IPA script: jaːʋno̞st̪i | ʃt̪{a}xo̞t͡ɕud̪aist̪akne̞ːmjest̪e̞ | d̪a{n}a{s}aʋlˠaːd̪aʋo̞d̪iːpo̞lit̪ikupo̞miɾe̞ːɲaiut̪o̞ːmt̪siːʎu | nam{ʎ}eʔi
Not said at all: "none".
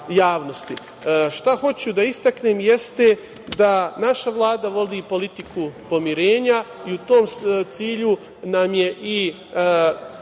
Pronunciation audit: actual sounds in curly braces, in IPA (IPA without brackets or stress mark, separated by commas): a, n, ʃ, j